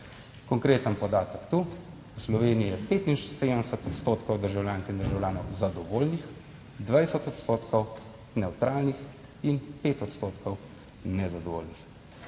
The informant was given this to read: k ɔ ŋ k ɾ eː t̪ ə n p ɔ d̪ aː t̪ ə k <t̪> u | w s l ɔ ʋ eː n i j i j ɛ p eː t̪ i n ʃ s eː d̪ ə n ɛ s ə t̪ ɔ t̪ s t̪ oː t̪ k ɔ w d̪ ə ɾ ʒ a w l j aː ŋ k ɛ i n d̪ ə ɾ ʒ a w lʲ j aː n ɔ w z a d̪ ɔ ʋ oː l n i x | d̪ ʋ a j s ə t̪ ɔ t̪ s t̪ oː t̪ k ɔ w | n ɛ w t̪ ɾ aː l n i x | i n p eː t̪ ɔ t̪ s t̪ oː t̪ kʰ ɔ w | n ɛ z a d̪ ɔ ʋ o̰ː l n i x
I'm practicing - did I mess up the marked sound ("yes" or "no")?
no